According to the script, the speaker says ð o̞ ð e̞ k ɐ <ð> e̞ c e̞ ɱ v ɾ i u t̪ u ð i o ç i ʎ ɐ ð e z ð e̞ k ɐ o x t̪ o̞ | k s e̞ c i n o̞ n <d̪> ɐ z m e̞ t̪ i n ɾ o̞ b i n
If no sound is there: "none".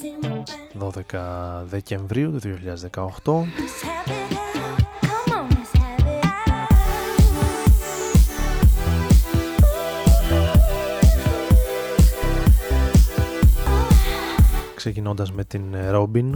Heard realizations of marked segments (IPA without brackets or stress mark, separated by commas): ð, d̪